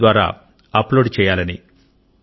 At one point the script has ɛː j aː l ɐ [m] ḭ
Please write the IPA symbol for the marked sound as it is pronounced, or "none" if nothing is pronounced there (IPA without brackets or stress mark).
n